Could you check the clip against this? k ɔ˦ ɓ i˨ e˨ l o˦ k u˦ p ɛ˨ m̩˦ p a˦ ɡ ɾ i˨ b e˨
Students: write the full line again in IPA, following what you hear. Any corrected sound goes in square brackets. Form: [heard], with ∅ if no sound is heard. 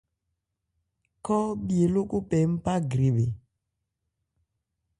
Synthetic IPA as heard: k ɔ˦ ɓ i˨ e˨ l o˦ k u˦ p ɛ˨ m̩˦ p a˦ ɡ ɾ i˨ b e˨